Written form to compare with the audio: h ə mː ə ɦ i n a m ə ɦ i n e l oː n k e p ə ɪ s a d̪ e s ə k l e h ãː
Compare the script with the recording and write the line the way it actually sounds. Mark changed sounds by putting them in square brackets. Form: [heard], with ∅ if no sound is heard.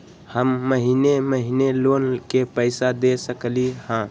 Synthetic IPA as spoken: h ə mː ə ɦ i n [e] m ə ɦ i n e l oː n k e p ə ɪ s a d̪ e s ə k l [i] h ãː